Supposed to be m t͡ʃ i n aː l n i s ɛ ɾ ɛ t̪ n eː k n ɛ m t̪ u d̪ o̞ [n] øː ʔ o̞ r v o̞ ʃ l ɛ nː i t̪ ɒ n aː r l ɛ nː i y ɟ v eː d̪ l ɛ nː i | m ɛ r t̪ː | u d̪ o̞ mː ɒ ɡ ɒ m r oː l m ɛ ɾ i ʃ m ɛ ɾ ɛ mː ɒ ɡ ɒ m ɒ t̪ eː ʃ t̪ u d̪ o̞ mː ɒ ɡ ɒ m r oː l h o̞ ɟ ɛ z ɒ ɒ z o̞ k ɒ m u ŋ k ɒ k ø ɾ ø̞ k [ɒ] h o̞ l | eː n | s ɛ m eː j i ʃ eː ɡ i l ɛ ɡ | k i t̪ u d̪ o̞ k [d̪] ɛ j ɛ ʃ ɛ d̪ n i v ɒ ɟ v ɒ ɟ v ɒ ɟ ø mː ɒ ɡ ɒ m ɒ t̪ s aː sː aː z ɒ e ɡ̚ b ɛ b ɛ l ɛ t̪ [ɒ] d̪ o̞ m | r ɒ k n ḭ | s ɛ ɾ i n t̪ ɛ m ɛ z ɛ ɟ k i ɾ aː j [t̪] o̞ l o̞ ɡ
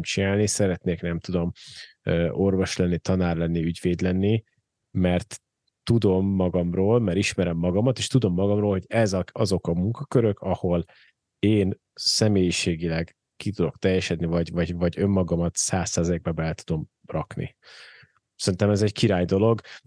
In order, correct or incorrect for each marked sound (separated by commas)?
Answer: incorrect, correct, incorrect, incorrect, incorrect